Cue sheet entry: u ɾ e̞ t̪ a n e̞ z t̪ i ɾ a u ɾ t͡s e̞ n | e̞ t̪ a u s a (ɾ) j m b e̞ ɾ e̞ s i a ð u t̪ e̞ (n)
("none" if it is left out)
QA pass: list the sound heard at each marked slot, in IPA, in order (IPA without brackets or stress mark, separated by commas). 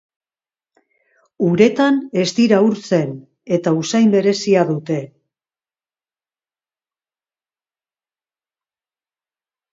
none, none